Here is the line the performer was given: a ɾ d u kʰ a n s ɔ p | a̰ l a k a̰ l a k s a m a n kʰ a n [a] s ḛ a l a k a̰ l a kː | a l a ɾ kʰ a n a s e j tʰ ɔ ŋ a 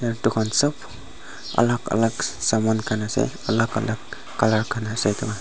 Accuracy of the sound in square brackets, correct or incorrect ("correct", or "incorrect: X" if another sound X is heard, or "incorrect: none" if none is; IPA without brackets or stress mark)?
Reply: correct